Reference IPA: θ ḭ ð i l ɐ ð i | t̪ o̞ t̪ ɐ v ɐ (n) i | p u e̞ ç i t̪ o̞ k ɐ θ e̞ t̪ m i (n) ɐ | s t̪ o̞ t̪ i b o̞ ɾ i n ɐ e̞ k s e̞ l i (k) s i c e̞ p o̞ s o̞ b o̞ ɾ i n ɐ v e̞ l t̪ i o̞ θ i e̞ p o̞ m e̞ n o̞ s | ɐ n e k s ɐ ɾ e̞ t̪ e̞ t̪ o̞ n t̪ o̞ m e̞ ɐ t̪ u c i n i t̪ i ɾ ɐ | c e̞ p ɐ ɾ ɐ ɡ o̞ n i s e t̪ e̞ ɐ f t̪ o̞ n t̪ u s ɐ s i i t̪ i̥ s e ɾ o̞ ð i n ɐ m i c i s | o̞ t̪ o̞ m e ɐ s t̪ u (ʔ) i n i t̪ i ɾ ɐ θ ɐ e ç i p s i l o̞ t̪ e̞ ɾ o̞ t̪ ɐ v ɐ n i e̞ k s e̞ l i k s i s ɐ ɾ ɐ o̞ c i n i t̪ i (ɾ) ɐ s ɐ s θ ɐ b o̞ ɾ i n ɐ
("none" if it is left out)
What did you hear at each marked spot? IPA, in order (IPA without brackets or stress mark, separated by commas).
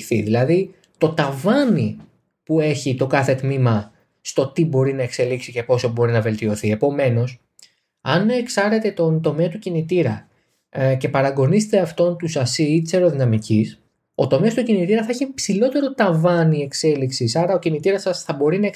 n, m, k, c, ɾ